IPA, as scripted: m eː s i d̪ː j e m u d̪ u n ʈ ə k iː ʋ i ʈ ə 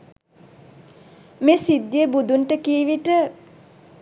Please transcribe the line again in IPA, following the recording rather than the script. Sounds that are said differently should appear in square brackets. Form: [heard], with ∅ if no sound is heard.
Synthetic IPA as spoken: m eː s i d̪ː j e [b] u d̪ u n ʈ ə k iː ʋ i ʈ ə

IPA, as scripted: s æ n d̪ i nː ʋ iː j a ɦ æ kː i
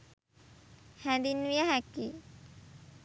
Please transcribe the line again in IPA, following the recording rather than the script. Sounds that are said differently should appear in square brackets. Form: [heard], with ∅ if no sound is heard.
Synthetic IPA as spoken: [h] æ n d̪ i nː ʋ [i] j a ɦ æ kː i

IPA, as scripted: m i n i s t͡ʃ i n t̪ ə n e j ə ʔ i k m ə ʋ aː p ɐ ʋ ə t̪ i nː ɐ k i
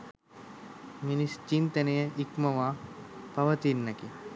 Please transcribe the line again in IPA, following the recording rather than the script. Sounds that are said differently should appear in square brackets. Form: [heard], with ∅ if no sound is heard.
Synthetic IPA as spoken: m i n i s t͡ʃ i n t̪ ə n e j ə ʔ i k m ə ʋ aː p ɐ ʋ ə t̪ i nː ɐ k i

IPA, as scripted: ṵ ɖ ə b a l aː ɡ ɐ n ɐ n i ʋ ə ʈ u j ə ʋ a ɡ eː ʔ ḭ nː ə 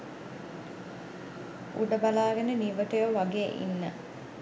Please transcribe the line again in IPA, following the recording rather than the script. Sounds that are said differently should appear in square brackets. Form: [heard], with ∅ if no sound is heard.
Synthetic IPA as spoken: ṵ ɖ ə b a l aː ɡ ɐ n [ə] n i ʋ ə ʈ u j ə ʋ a ɡ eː ʔ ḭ nː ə

